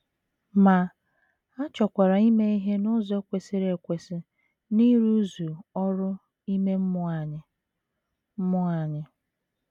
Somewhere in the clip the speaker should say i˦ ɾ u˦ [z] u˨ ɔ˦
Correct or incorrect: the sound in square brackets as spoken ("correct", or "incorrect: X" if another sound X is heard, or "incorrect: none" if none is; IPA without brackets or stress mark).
correct